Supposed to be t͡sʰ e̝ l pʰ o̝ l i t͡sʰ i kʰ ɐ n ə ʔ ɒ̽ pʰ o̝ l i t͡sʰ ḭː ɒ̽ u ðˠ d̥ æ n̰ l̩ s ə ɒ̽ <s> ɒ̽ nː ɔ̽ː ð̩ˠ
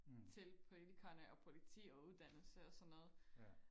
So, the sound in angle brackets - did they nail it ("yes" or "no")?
yes